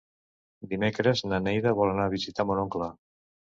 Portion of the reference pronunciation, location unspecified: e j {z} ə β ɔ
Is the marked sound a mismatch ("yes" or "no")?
yes